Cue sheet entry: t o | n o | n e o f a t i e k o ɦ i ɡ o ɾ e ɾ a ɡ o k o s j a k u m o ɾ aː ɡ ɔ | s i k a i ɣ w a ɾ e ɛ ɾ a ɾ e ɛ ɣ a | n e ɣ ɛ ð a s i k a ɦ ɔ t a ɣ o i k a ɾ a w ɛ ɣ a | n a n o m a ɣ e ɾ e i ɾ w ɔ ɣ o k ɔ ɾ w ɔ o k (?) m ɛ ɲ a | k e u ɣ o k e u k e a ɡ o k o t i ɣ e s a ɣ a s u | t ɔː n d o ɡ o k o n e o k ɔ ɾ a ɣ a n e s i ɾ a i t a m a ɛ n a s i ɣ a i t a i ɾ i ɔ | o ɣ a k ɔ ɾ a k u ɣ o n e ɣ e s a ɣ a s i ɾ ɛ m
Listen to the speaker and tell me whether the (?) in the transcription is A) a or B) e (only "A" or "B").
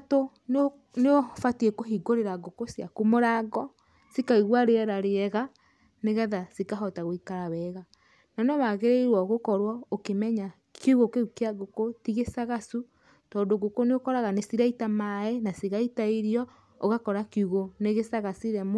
B